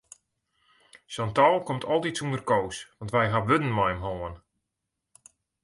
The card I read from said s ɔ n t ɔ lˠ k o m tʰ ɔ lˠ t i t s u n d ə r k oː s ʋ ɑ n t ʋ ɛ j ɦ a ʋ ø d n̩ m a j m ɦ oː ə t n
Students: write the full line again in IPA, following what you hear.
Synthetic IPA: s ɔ n t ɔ lˠ k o m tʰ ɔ lˠ t i t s u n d ə r k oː s ʋ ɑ n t ʋ ɛ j ɦ a ʋ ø d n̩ m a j m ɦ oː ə n